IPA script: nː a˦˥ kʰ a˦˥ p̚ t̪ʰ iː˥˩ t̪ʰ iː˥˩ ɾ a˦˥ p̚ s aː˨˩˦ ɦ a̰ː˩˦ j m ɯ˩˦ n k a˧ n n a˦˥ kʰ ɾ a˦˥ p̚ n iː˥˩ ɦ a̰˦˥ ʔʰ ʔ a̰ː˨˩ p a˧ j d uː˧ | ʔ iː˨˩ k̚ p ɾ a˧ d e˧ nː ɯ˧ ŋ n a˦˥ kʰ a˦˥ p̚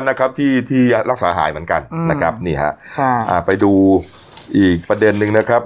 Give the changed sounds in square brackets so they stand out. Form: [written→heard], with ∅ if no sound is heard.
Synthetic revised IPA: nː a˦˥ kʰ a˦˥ p̚ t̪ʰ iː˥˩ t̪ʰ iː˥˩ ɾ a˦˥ [p̚→k̚] s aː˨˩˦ ɦ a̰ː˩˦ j m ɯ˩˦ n k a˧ n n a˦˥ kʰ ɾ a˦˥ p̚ n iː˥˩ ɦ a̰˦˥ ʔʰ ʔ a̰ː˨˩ p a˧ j d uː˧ | ʔ iː˨˩ k̚ p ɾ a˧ d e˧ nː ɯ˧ ŋ n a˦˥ kʰ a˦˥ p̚